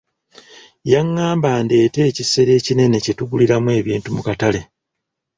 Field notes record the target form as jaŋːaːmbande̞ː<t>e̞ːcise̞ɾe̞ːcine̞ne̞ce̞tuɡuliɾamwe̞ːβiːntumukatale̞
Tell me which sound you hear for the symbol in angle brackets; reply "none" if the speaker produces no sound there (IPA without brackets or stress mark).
t